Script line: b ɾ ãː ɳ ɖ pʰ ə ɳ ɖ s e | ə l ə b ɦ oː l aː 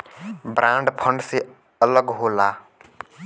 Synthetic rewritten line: b ɾ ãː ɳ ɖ pʰ ə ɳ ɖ s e | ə l ə ɡ ɦ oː l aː